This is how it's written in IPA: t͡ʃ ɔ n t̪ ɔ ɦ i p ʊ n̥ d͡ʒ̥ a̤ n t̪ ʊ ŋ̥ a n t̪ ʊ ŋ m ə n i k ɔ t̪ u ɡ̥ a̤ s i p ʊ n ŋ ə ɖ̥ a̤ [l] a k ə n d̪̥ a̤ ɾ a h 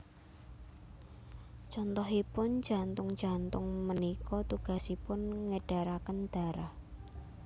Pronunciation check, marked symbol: incorrect: ɾ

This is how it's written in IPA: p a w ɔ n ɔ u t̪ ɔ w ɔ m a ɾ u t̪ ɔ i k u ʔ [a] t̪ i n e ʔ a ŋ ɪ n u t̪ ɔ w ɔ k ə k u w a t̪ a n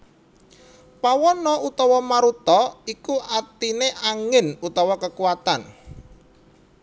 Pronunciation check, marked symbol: correct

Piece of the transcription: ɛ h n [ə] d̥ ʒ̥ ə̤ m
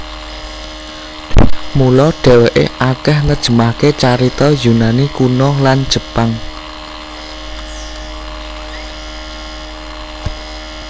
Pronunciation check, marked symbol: correct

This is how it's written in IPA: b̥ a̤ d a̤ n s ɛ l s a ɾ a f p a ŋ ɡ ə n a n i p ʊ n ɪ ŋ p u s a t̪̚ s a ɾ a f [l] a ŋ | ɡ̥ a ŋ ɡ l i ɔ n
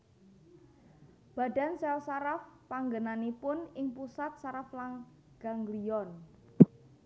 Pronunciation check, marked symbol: correct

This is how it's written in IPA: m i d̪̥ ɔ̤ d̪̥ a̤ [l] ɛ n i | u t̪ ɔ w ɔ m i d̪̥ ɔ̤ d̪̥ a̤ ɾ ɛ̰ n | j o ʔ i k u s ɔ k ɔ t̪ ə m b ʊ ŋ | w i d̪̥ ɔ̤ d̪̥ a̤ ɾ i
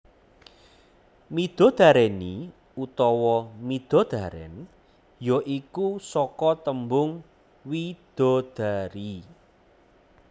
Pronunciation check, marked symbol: incorrect: ɾ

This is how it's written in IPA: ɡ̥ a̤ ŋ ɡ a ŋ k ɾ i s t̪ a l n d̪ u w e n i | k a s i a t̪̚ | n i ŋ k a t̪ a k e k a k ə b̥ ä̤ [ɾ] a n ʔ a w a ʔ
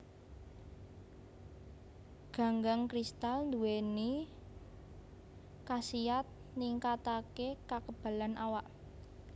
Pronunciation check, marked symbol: incorrect: l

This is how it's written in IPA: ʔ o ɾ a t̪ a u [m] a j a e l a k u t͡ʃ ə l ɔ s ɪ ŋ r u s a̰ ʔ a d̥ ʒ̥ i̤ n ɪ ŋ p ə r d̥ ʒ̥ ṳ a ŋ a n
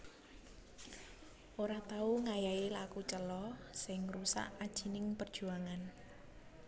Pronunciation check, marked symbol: incorrect: ŋ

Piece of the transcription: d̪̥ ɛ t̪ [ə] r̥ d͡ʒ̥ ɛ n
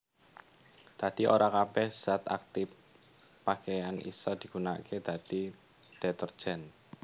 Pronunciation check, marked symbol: correct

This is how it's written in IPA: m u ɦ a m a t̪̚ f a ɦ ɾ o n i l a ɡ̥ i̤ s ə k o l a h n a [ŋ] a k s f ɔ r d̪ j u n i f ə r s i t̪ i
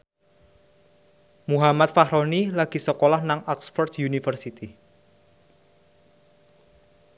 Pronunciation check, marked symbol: correct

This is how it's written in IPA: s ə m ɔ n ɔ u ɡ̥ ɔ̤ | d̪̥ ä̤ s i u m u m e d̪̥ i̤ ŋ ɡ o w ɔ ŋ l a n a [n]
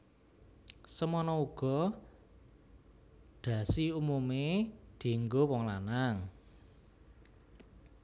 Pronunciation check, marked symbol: incorrect: ŋ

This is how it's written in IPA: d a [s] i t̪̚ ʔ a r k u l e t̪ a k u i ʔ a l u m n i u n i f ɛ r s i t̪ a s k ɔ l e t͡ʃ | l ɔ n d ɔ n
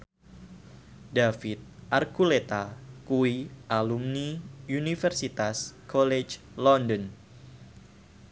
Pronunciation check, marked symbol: incorrect: f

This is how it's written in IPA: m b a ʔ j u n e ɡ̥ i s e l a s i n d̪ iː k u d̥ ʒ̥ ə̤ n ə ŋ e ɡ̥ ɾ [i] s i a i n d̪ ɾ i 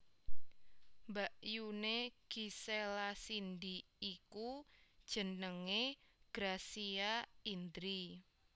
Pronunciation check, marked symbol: incorrect: a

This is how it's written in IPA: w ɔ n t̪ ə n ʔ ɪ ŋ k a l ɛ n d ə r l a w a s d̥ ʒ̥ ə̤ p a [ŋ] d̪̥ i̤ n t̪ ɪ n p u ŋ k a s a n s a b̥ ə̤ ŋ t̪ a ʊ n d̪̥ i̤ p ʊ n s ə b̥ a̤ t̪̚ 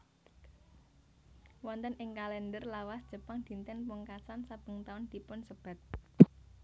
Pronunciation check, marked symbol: correct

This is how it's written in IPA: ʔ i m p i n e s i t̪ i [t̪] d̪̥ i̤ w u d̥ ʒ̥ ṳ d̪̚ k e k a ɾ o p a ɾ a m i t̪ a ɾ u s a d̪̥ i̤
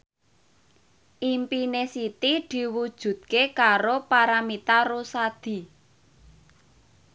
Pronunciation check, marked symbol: incorrect: none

